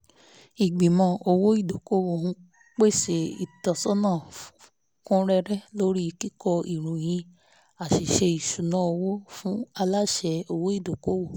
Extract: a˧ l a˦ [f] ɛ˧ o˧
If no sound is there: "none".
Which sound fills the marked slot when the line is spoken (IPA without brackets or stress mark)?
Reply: ʃ